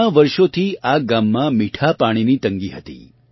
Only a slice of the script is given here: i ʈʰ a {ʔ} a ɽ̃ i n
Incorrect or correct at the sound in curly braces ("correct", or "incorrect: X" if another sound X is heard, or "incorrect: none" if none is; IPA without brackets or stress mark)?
incorrect: p